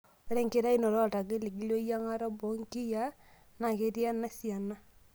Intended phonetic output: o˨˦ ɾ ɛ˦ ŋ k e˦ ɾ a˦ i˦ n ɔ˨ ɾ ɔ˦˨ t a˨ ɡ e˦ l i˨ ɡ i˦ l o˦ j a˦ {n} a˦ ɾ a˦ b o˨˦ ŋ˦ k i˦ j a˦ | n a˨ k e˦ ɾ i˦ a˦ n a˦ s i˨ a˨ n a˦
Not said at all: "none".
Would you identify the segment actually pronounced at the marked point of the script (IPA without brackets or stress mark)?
ŋ